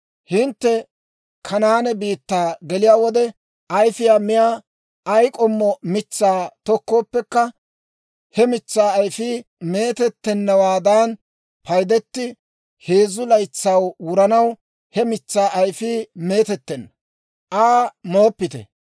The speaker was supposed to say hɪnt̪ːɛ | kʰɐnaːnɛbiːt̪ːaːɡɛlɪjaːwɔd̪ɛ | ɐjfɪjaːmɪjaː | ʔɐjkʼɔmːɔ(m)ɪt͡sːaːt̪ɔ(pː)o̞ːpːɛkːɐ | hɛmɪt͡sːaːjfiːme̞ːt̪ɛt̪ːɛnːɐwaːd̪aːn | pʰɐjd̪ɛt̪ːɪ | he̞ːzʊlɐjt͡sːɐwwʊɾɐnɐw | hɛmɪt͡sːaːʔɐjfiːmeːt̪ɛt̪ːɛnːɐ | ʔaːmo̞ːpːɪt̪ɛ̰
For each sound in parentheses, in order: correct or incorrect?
correct, incorrect: kː

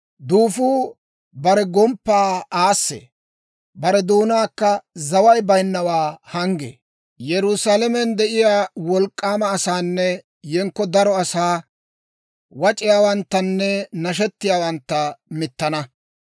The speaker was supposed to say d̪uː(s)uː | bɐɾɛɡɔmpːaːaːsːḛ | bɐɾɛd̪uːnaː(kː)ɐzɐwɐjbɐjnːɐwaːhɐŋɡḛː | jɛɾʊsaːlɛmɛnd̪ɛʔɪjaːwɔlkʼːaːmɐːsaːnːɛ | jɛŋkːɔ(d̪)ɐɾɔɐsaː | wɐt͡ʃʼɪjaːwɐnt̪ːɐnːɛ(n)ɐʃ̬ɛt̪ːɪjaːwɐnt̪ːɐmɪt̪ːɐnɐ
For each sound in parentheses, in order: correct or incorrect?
incorrect: f, correct, correct, correct

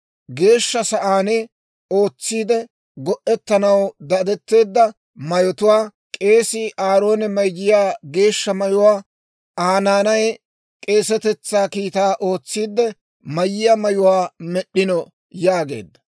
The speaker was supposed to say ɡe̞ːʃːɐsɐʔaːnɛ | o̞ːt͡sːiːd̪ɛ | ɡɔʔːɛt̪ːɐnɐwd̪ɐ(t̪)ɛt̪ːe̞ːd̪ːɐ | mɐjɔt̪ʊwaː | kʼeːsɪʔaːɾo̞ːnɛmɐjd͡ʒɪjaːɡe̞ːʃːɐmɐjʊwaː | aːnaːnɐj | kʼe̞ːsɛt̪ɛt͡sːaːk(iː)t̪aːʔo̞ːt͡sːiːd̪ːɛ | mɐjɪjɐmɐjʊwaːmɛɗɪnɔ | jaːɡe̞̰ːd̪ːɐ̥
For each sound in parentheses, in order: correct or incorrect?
incorrect: d̪, correct

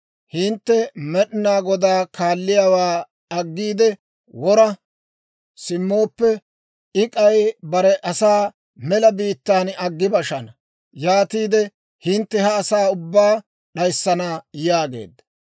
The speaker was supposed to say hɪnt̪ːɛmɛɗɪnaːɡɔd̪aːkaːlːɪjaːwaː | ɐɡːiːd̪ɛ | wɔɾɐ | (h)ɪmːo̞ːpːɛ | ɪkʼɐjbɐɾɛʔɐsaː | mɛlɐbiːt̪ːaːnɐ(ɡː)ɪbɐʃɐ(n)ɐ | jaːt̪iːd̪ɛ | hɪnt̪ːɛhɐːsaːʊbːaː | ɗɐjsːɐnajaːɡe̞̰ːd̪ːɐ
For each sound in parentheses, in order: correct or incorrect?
incorrect: s, correct, correct

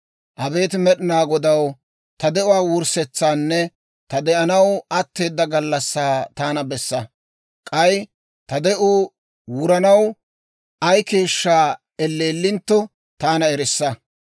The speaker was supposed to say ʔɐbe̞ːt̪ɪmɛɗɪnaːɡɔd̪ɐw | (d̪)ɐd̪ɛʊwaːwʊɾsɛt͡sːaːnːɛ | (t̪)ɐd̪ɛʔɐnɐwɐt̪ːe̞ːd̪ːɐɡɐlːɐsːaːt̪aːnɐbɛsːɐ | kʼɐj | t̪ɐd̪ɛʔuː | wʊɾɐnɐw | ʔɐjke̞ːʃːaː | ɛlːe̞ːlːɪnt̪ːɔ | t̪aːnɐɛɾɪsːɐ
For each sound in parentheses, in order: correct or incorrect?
incorrect: t̪, correct

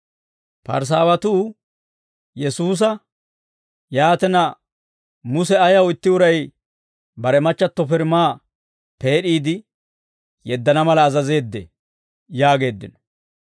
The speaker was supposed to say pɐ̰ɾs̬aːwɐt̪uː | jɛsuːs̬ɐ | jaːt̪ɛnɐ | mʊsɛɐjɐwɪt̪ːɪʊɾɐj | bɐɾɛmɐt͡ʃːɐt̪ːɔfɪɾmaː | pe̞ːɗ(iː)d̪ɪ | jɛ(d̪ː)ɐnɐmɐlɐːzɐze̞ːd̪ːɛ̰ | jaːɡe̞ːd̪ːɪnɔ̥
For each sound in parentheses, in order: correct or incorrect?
correct, correct

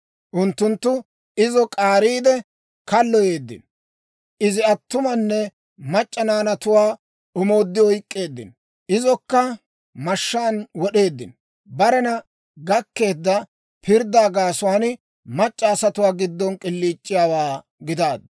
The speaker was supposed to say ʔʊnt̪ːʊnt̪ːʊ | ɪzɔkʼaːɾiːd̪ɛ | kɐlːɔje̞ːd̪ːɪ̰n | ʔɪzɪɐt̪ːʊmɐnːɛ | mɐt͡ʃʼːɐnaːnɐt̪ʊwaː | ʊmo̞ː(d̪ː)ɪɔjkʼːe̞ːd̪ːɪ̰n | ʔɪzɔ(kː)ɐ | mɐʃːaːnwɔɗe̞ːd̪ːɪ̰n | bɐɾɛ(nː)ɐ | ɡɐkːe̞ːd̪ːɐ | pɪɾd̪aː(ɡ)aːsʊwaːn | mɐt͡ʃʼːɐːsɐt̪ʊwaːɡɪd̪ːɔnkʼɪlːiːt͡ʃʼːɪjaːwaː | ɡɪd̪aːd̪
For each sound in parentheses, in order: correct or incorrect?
correct, correct, incorrect: n, correct

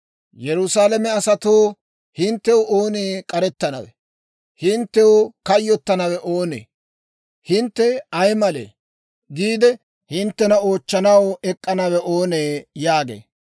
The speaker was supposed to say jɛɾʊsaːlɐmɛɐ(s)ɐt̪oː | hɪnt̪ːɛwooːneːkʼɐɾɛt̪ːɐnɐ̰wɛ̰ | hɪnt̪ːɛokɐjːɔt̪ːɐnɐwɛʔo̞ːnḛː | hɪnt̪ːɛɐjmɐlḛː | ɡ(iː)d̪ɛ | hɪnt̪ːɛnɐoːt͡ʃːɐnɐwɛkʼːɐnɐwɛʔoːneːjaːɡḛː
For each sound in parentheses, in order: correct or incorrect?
correct, correct

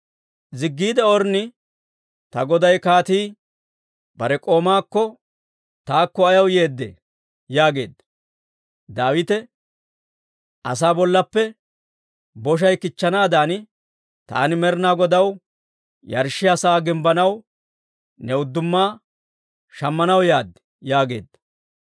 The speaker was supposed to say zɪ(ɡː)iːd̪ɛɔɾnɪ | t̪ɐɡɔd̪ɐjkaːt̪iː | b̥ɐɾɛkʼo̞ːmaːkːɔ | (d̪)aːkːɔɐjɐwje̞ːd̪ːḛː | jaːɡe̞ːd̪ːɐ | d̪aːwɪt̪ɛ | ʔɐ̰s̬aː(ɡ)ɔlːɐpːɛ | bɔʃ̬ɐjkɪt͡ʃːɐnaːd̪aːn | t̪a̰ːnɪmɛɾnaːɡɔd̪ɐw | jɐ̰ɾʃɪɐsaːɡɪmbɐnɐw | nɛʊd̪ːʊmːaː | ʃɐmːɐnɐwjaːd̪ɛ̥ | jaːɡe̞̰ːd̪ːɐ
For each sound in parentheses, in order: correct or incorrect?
correct, incorrect: t̪, incorrect: b

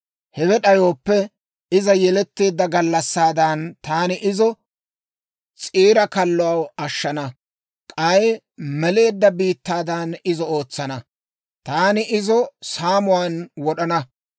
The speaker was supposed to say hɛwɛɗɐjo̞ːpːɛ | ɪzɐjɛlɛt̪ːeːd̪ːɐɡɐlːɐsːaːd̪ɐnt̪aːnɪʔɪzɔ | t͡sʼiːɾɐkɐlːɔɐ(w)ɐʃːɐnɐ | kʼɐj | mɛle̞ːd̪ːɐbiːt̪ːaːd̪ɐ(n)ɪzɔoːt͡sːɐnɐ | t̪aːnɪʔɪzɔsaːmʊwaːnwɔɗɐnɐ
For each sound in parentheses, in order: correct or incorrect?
correct, correct

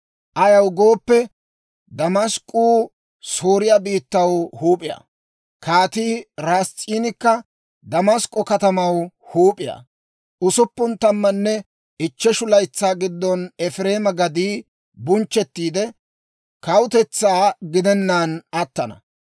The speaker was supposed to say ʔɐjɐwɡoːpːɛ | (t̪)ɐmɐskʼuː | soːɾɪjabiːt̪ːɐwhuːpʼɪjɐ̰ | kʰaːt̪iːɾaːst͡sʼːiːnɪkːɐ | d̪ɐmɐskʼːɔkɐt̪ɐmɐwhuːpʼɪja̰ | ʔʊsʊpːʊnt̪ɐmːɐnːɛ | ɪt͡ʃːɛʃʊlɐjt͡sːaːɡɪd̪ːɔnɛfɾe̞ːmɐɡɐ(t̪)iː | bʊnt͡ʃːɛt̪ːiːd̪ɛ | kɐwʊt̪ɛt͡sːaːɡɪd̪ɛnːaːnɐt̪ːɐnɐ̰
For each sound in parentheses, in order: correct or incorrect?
incorrect: d̪, incorrect: d̪

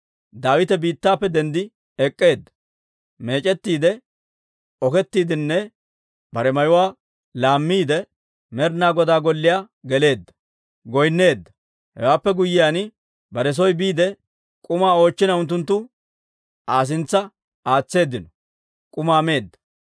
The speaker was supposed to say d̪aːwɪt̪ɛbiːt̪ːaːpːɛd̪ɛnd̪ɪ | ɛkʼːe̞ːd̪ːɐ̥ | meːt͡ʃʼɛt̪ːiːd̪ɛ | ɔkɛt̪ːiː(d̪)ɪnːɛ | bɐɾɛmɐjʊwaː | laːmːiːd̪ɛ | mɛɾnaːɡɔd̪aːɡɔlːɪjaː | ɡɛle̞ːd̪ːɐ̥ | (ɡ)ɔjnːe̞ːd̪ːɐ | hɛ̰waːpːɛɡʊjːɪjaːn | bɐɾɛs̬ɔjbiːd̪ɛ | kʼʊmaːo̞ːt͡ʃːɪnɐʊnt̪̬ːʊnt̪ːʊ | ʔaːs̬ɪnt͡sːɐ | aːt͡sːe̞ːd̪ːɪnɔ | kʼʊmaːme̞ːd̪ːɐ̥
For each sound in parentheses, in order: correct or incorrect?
correct, correct

